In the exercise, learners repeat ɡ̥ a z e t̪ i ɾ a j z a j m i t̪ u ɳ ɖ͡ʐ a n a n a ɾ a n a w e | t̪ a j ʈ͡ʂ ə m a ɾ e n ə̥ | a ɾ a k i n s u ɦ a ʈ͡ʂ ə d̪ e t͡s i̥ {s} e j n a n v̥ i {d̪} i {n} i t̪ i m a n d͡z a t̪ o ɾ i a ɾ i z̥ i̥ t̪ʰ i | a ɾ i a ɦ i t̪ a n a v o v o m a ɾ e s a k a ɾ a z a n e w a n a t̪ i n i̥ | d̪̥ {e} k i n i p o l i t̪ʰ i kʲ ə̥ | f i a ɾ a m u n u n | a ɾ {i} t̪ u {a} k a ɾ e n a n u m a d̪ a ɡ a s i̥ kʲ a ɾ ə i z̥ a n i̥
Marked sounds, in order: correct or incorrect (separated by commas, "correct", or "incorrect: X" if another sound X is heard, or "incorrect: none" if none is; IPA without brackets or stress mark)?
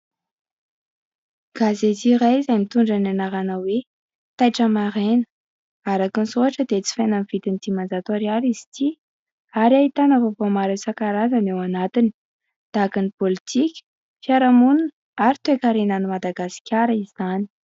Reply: incorrect: f, incorrect: t̪, correct, incorrect: a, correct, incorrect: e